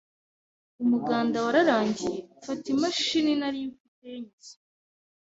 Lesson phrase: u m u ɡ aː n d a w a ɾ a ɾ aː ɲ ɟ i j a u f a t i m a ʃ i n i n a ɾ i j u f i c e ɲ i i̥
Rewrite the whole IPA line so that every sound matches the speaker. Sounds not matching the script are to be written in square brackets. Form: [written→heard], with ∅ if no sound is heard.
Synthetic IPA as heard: u m u ɡ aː n d a w a ɾ a ɾ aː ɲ ɟ i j [a→e] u f a t i m a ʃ i n i n a ɾ i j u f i [c→t] e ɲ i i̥

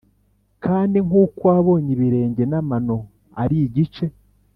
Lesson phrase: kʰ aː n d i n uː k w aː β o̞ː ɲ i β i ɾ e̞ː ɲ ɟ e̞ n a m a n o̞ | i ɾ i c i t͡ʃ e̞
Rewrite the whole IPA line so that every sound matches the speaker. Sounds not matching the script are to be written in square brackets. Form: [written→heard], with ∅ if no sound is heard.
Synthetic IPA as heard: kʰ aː n d i [n→ŋ] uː k w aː β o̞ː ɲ i β i ɾ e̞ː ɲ ɟ e̞ n a m a n o̞ | [i→a] ɾ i [c→ɟ] i t͡ʃ e̞

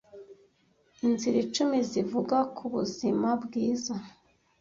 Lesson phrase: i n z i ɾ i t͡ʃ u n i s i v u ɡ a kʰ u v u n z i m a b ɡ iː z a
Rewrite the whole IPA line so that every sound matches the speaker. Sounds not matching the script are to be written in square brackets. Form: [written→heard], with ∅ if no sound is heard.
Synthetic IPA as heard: i n z i ɾ i t͡ʃ u [n→m] i [s→z] i v u ɡ a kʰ u [v→β] u [n→∅] z i m a b ɡ iː z a

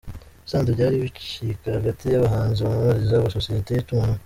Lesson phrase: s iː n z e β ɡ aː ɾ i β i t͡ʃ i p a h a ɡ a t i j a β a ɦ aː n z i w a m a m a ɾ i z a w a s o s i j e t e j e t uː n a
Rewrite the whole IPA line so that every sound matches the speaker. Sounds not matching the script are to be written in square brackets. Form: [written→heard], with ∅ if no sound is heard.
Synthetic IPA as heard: s [iː→aː] n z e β [ɡ→ɟ] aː ɾ i β i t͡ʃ i [p→k] a h a ɡ a t i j a β a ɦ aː n z i [w→β] a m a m a ɾ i z a [w→β] a s o s i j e t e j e t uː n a

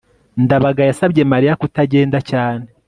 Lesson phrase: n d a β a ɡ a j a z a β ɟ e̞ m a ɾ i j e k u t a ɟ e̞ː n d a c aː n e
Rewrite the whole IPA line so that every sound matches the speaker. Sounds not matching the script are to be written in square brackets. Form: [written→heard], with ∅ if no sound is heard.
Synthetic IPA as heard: n d a β a ɡ a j a [z→s] a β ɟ e̞ m a ɾ i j [e→a] k u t a ɟ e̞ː n d a c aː n e

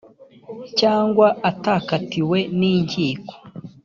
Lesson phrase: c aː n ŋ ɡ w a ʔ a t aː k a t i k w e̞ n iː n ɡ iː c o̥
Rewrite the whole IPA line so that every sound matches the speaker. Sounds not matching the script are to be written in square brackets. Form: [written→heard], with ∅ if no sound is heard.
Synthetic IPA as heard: c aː [n→∅] ŋ ɡ w a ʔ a t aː k a t i [k→∅] w e̞ n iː [n→ɲ] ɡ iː [c→k] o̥

